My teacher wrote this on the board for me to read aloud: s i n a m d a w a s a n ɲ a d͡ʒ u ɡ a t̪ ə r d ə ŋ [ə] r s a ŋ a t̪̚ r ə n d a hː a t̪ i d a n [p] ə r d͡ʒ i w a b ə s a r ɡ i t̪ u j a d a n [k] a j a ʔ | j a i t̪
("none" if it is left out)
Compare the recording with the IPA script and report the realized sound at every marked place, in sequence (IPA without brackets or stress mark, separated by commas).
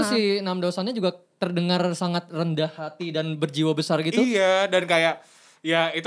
a, b, k